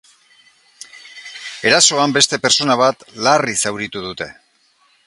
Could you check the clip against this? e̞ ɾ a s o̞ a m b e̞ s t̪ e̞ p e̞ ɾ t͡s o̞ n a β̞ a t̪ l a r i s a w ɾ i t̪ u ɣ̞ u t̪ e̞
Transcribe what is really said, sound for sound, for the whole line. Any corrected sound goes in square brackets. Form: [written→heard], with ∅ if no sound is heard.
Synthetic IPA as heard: e̞ ɾ a s o̞ a m b e̞ s t̪ e̞ p e̞ ɾ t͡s o̞ n a β̞ a t̪ l a r i s a w ɾ i t̪ u [ɣ̞→ð̞] u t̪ e̞